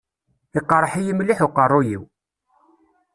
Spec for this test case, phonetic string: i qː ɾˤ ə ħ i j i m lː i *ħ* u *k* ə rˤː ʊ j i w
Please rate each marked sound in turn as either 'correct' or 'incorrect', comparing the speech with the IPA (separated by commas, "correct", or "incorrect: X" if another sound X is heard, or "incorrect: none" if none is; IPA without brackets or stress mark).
correct, incorrect: q